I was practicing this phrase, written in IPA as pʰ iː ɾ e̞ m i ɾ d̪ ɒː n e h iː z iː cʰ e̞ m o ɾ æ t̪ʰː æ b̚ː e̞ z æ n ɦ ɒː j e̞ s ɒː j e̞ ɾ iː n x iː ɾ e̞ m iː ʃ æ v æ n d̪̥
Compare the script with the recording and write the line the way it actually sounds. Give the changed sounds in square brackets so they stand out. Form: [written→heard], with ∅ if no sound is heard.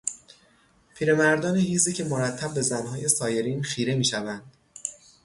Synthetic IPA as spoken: pʰ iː ɾ e̞ m [i→æ] ɾ d̪ ɒː n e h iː z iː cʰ e̞ m o ɾ æ t̪ʰː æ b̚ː e̞ z æ n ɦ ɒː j e̞ s ɒː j e̞ ɾ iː n x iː ɾ e̞ m iː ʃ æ v æ n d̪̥